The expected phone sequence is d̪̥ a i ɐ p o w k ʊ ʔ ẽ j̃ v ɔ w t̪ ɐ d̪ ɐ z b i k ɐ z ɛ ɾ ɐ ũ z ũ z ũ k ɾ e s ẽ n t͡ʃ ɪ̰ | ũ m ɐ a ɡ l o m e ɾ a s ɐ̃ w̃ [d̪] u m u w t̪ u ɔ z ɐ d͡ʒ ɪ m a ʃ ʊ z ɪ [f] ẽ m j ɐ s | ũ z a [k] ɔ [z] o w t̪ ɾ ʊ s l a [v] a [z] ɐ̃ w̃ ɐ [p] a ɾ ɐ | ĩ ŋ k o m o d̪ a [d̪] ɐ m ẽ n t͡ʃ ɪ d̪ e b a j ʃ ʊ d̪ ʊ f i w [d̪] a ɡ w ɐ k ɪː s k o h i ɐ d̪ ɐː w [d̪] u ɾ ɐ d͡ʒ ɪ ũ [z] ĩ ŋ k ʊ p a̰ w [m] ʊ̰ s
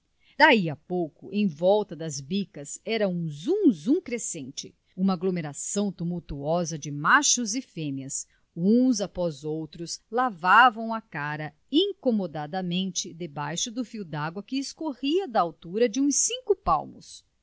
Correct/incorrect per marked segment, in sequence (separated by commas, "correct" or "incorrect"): incorrect, correct, incorrect, correct, correct, incorrect, incorrect, correct, correct, incorrect, incorrect, correct